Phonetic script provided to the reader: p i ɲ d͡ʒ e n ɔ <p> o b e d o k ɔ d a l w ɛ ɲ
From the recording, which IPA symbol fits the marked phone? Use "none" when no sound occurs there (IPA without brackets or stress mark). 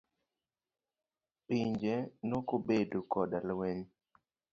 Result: k